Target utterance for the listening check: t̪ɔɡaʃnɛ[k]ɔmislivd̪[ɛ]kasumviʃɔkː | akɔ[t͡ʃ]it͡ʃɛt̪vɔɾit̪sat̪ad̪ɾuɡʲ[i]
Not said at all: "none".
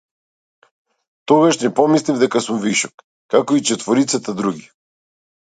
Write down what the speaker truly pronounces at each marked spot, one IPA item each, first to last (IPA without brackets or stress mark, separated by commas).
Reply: p, ɛ, none, i